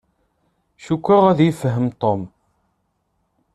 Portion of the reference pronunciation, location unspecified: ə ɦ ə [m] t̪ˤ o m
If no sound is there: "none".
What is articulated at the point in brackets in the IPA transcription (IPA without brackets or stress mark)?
m